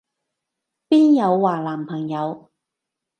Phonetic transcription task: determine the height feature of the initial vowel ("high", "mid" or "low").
high